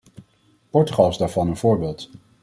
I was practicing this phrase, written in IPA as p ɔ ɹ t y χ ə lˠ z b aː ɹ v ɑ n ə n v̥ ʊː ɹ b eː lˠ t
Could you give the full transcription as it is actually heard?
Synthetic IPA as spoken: p ɔ ɹ t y χ ɑ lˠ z d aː ɹ v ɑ n ə n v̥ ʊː ɹ b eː lˠ t